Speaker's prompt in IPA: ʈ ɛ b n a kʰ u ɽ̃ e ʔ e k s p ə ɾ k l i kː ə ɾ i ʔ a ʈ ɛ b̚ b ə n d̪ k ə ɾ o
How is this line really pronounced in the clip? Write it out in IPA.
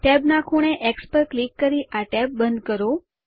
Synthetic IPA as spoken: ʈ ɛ b n a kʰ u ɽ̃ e ʔ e k s p ə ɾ k l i kː ə ɾ i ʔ a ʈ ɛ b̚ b ə n d̪ k ə ɾ o